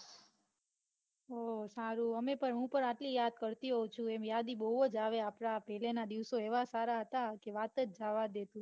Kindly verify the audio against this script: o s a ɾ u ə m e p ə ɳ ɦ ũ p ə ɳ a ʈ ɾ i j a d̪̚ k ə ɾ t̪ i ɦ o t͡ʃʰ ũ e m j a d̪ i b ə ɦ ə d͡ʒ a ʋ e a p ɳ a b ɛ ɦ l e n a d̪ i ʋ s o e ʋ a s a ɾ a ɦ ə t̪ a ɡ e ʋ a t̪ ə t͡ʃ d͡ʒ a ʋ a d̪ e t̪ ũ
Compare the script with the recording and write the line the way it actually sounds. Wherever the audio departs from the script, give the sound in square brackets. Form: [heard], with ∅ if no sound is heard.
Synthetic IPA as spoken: o s a ɾ u ə m e p ə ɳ ɦ ũ p ə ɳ a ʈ [l] i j a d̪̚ k ə ɾ t̪ i ɦ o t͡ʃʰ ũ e m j a d̪ i b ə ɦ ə d͡ʒ a ʋ e a p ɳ a [p] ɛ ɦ l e n a d̪ i ʋ s o e ʋ a s a ɾ a ɦ ə t̪ a [k] e ʋ a t̪ ə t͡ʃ d͡ʒ a ʋ a d̪ e t̪ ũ